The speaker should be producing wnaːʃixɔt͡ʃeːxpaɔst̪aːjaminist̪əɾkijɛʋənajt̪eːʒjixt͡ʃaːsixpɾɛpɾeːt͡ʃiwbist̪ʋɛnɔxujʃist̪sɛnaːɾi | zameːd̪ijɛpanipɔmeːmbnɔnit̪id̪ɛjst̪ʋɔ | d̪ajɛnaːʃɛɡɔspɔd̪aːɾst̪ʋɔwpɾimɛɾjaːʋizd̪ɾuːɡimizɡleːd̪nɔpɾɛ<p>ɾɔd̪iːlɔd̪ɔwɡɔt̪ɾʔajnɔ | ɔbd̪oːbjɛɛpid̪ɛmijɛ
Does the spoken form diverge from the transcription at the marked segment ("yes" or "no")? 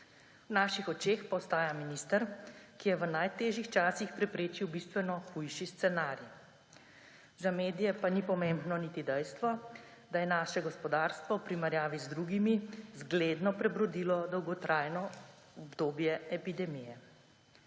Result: yes